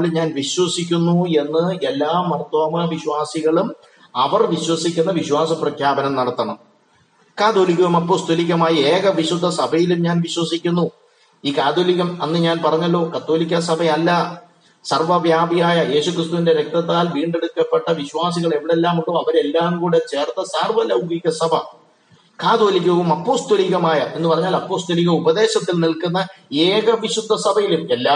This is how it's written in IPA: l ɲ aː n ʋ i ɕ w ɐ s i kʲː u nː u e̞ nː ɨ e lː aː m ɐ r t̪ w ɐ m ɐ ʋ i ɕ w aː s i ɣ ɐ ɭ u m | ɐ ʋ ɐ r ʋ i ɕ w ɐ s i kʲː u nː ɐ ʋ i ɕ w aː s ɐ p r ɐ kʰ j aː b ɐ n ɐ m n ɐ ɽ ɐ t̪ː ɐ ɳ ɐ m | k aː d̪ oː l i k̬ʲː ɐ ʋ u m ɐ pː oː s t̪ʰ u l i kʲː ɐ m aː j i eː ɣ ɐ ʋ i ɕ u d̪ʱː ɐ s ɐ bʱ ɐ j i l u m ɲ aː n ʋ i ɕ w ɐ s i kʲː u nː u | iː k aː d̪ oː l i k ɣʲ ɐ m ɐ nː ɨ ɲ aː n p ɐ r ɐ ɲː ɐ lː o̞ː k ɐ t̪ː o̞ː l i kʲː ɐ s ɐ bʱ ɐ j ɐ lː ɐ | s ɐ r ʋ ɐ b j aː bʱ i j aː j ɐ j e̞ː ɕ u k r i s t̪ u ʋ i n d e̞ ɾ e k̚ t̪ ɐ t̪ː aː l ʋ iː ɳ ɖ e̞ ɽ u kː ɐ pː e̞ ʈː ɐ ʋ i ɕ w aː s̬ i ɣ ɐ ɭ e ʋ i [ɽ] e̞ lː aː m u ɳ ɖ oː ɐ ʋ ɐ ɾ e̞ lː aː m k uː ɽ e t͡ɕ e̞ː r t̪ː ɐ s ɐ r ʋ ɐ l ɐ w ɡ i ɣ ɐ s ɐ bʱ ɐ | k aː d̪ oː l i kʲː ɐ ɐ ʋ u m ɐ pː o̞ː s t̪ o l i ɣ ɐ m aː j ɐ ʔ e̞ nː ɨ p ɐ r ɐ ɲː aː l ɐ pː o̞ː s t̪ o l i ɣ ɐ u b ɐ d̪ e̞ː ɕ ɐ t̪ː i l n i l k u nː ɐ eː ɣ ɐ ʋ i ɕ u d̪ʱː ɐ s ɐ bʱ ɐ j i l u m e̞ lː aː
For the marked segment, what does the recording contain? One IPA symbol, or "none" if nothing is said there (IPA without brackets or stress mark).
ɽ